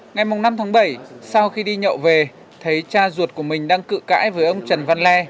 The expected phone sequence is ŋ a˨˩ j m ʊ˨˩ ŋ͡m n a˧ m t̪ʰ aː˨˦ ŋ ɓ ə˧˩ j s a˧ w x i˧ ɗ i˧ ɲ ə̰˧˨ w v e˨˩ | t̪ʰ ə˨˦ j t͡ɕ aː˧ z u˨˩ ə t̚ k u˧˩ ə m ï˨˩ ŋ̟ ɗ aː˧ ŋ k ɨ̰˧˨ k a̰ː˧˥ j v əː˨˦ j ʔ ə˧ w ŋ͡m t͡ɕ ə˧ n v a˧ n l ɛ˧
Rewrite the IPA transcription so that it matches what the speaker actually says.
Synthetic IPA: ŋ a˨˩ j m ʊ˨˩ ŋ͡m n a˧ m t̪ʰ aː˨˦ ŋ ɓ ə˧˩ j s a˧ w x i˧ ɗ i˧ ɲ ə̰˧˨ w v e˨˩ | t̪ʰ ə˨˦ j t͡ɕ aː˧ z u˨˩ ə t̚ k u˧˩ ə m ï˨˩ ŋ̟ ɗ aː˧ ŋ k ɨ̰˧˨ k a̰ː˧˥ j v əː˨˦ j ʔ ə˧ w ŋ͡m t͡ɕ ə˨˩ n v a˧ n l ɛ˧